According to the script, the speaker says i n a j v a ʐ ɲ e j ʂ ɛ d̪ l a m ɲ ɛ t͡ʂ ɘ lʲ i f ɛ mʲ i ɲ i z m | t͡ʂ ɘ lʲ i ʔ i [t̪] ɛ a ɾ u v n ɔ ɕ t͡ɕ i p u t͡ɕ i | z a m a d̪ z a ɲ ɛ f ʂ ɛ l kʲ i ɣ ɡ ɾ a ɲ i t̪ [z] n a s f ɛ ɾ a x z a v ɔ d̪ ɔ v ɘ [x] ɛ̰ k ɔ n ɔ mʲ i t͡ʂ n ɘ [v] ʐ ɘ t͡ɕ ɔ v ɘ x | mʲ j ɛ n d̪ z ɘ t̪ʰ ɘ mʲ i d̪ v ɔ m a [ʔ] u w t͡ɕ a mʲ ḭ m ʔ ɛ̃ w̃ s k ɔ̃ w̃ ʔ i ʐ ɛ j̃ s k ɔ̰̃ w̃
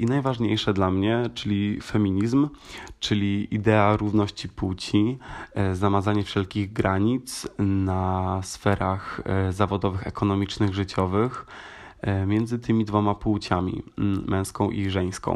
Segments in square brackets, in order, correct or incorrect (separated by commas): incorrect, incorrect, correct, incorrect, incorrect